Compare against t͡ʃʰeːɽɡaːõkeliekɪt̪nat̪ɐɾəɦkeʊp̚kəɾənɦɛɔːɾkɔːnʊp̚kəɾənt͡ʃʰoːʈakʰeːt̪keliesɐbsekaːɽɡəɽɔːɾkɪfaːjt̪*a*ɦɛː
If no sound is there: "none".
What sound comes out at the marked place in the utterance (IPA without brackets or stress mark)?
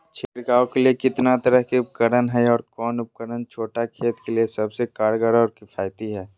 i